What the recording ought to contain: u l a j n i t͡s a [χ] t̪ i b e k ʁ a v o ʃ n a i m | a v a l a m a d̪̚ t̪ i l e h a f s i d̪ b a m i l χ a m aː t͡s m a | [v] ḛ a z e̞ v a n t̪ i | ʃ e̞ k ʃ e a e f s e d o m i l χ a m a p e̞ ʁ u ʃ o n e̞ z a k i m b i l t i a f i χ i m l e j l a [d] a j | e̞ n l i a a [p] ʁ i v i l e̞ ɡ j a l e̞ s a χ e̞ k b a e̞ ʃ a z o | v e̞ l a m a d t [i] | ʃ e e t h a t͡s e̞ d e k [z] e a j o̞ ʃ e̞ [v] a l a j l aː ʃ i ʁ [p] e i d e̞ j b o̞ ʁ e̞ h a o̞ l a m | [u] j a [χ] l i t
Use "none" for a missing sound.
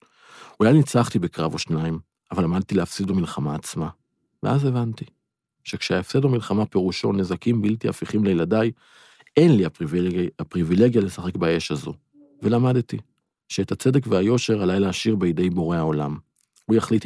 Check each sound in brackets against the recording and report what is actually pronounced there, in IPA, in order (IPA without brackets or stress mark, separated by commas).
χ, v, d, p, i, v, ʁ, b, u, χ